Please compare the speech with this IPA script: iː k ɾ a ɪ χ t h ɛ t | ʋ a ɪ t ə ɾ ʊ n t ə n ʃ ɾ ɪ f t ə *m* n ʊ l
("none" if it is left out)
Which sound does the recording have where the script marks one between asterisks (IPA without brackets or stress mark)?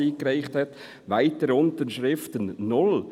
n